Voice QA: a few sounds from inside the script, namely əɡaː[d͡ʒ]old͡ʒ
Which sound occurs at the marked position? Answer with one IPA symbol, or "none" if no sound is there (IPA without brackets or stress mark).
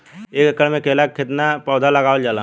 none